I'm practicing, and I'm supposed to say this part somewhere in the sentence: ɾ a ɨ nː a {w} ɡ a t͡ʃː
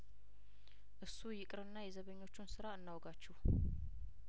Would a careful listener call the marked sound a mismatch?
no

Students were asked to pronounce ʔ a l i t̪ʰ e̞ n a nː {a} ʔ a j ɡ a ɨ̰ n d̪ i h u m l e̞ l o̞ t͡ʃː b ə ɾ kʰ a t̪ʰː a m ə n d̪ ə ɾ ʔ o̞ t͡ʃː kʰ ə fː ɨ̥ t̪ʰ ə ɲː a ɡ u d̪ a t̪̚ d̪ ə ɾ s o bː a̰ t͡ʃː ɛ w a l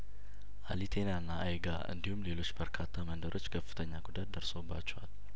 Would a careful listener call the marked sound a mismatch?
no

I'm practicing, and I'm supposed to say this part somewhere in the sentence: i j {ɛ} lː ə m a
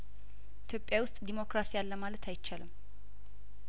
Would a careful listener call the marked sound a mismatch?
yes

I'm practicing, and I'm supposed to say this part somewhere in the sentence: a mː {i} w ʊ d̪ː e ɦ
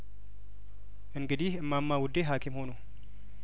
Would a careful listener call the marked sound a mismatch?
yes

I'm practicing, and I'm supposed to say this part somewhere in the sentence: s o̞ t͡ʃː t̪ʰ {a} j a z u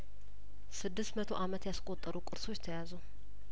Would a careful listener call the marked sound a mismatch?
yes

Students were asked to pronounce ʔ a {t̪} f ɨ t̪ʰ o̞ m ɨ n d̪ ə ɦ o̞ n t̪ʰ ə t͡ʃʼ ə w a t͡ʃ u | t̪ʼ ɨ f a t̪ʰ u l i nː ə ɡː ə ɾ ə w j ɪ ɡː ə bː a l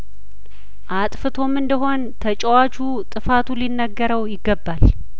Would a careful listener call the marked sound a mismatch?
yes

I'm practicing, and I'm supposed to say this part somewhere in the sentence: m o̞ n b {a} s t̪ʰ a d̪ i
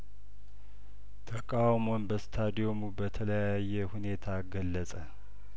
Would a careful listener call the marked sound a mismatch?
yes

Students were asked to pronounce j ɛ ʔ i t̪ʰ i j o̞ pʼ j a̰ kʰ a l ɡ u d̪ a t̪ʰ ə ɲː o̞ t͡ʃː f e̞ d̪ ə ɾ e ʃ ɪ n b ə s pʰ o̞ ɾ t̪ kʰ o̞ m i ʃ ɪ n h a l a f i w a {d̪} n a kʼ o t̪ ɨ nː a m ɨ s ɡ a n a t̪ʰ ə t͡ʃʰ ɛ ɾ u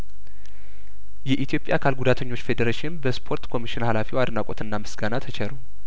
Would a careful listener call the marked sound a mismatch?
no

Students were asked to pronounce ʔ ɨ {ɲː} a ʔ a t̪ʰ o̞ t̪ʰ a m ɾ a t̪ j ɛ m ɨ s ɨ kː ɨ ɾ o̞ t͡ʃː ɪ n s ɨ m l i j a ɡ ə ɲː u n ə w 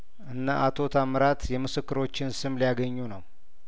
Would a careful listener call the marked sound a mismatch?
yes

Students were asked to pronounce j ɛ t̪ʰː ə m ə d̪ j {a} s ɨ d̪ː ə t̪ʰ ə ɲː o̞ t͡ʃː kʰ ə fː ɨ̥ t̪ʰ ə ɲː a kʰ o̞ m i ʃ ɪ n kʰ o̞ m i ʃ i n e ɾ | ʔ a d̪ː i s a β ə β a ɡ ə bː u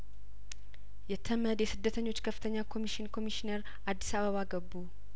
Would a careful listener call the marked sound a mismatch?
yes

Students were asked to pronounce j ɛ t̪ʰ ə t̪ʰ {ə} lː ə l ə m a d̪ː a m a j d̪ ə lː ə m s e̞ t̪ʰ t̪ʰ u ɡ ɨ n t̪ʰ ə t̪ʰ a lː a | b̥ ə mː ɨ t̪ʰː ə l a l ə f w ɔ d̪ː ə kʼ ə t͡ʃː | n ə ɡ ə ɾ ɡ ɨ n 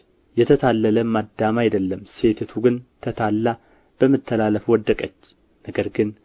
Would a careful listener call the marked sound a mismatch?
yes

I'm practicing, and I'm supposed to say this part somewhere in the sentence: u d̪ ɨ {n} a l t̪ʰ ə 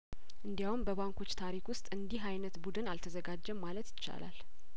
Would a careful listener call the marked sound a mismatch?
no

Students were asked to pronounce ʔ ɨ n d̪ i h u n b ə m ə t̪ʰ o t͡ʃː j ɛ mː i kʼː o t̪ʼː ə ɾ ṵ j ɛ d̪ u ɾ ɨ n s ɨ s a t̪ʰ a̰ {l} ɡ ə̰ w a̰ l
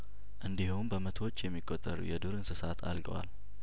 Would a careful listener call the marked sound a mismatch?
no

